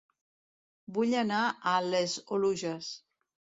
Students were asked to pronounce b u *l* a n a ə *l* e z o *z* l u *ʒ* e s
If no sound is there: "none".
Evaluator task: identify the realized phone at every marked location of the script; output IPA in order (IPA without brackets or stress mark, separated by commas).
ʎ, l, none, ʒ